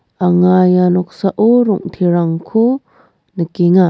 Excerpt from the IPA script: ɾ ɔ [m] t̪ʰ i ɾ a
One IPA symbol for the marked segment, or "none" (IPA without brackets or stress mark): ŋ